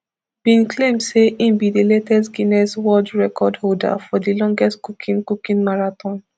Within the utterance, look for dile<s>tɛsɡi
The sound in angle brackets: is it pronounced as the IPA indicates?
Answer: no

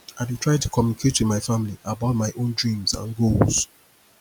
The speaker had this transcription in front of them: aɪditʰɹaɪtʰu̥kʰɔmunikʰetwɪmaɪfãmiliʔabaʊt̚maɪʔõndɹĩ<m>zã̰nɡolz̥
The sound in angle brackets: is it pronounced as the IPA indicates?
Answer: yes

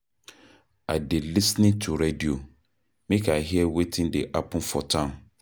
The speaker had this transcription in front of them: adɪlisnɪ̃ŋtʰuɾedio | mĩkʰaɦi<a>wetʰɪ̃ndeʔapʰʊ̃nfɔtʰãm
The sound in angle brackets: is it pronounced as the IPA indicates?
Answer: no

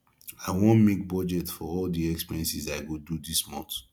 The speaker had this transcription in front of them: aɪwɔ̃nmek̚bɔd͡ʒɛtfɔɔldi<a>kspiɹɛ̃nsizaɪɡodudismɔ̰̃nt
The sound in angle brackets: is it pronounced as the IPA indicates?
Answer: no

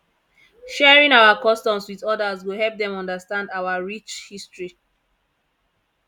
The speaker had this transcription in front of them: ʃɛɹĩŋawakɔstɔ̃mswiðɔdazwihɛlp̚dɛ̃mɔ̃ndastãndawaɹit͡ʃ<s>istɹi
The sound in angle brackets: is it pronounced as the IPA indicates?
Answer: no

